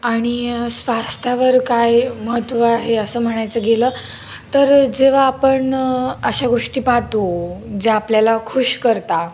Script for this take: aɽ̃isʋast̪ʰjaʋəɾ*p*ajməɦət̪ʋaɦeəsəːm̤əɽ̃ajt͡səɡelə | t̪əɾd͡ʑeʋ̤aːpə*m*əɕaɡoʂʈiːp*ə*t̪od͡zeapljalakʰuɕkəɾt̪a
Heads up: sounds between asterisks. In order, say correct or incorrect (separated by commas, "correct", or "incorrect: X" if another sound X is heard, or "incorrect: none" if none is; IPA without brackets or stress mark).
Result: incorrect: k, incorrect: ɳ, incorrect: a